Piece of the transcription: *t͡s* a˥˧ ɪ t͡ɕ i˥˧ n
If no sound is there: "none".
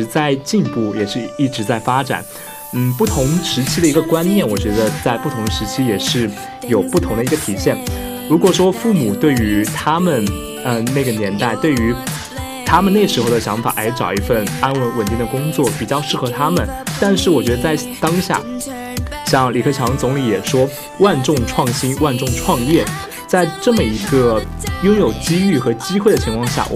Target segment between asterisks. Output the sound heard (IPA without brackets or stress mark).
t͡s